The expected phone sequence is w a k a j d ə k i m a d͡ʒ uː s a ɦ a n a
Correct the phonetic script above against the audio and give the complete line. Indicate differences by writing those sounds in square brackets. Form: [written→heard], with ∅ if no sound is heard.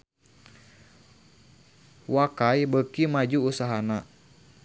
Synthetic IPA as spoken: w a k a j [d→b] ə k i m a d͡ʒ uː s a ɦ a n a